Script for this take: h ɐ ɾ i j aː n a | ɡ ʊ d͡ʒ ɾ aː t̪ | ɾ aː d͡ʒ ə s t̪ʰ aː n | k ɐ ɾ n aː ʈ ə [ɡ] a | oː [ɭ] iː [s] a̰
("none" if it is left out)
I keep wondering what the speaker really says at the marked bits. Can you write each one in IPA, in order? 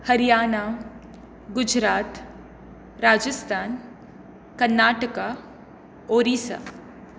k, ɾ, s

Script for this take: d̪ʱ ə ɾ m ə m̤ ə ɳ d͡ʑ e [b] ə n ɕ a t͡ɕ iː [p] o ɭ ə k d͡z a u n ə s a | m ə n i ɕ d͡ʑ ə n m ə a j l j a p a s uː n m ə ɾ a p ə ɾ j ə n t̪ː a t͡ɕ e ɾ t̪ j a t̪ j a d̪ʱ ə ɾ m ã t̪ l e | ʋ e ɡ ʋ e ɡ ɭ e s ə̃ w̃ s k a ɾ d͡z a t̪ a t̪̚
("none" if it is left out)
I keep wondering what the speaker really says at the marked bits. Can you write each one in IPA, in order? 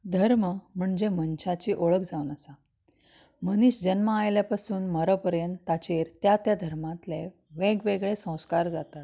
m, ʔ

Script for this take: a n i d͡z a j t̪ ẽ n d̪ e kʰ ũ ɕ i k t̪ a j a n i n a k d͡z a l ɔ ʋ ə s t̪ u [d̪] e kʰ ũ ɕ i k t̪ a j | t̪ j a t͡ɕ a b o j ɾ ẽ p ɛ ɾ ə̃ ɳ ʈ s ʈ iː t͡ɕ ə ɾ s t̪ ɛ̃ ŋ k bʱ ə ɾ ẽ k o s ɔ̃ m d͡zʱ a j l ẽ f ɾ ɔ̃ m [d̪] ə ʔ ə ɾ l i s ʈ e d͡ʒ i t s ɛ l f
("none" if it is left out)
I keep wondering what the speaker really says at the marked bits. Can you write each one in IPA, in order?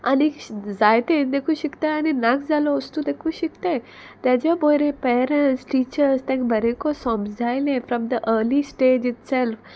d̪, d̪

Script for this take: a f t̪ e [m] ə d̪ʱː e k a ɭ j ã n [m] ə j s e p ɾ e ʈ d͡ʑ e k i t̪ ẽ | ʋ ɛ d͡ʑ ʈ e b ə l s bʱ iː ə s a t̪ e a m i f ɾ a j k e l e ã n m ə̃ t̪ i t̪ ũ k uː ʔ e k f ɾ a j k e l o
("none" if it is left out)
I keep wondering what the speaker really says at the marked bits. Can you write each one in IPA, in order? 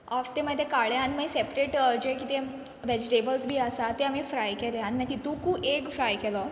m, m

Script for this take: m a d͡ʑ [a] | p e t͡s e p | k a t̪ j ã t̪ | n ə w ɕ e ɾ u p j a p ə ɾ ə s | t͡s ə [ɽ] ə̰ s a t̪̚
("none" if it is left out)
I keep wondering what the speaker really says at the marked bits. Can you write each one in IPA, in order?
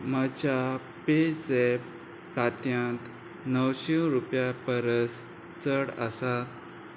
a, ɽ

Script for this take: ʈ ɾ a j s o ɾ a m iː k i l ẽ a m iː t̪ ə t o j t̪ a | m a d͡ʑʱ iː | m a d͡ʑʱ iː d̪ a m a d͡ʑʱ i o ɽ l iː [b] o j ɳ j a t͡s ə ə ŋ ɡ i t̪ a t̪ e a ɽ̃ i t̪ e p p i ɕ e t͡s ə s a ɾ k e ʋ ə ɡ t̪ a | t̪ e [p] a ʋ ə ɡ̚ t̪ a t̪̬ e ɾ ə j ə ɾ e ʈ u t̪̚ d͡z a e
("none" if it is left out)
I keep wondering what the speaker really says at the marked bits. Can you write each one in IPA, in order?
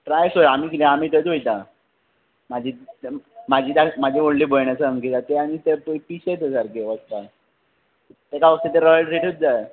b, k

